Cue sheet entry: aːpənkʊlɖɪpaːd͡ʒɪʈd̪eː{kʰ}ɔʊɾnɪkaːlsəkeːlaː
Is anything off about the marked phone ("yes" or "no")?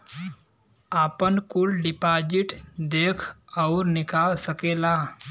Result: no